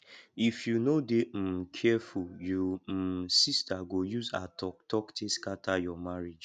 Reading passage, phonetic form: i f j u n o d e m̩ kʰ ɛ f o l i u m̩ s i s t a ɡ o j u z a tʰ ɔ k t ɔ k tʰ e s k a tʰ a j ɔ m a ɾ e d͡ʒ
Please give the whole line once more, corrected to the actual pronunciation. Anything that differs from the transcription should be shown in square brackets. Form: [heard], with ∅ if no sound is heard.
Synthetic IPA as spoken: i f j u n o d e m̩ kʰ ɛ f [u] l [j] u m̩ s i s t a ɡ o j u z a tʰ ɔ k t ɔ k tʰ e s k a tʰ a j ɔ m a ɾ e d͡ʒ